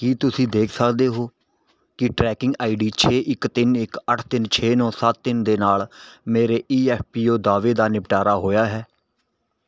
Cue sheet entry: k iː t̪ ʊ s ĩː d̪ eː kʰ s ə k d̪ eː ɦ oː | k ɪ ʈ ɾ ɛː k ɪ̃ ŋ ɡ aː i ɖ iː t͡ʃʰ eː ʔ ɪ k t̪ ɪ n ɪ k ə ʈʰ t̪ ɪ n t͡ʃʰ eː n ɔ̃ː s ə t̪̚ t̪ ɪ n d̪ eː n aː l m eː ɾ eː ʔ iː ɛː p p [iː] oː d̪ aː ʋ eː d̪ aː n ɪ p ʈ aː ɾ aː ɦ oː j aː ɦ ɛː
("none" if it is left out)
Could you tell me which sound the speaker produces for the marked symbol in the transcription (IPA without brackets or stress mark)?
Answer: iː